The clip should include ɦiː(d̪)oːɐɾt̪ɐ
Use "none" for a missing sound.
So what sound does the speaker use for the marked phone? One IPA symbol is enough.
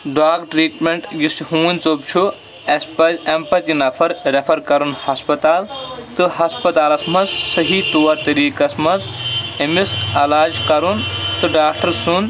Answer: t̪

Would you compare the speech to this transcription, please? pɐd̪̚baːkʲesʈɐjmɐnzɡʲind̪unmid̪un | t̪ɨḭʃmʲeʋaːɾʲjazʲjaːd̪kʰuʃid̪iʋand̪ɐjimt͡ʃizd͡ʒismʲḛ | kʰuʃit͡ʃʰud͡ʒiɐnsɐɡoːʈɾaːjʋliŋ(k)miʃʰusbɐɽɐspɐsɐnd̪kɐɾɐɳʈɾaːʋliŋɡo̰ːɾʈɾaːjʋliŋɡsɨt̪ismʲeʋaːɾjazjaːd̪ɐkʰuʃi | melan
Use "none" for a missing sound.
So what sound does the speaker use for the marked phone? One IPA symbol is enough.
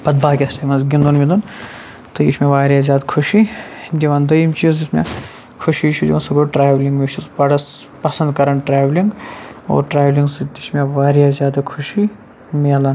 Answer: ɡ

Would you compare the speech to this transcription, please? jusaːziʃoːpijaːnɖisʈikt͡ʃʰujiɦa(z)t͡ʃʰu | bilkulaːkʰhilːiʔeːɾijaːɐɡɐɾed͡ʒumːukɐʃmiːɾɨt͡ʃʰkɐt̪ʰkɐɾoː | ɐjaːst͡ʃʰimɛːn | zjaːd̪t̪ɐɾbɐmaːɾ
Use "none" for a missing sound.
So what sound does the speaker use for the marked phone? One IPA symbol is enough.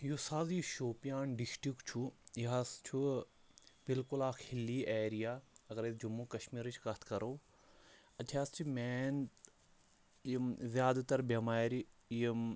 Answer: s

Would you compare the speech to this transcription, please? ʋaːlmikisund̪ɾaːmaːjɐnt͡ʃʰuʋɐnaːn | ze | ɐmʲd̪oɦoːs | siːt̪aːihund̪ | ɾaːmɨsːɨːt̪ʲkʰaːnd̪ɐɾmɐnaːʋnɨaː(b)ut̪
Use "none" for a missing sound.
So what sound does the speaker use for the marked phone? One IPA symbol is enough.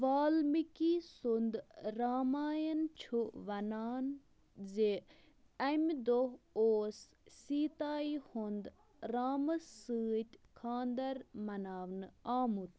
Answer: m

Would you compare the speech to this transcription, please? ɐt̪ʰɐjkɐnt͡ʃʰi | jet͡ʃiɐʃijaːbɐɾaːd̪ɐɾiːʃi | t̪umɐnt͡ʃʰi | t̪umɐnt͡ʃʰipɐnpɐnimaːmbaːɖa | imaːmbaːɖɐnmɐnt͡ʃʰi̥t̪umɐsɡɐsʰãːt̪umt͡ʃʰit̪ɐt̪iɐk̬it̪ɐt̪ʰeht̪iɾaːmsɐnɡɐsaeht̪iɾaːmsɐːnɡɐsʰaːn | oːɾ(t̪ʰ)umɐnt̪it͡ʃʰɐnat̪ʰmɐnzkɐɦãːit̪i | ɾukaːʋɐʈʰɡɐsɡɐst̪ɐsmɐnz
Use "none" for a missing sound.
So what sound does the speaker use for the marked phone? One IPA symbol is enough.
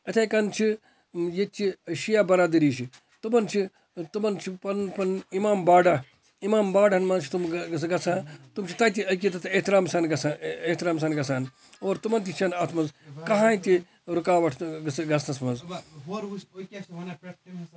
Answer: t̪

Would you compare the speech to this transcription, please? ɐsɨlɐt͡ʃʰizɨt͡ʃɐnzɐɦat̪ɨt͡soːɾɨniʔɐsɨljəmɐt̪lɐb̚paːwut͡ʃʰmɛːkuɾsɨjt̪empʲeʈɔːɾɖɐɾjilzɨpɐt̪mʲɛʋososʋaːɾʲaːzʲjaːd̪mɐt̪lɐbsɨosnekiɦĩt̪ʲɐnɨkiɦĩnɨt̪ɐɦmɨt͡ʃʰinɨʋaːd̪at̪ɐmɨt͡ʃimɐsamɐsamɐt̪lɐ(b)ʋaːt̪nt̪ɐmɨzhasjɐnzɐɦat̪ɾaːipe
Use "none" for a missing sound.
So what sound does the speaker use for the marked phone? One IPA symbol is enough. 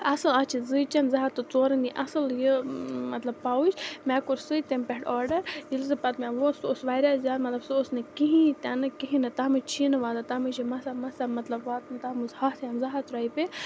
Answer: b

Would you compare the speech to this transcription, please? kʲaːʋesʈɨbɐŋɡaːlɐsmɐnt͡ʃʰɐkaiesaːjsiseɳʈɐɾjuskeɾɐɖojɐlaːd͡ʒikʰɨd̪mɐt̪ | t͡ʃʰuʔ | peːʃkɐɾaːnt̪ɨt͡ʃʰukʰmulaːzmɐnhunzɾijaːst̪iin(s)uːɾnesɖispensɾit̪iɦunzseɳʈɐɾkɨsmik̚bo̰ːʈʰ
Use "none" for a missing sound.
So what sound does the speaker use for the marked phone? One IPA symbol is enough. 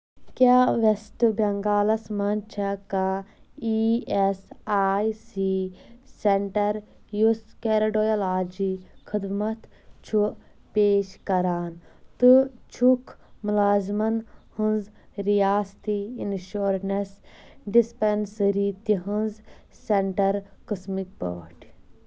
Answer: ʃ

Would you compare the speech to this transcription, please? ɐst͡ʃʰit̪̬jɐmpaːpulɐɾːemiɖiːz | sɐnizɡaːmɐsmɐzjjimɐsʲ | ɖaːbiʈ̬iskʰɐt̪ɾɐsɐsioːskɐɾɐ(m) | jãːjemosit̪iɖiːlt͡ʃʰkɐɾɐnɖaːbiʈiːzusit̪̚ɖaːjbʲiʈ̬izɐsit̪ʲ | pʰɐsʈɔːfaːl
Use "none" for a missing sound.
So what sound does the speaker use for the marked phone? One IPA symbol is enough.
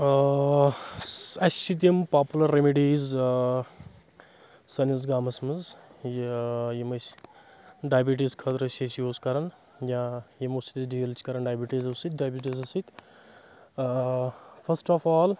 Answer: n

